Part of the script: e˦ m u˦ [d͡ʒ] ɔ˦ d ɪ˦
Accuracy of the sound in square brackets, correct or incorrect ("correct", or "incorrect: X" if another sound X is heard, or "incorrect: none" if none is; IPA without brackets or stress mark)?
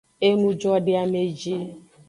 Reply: correct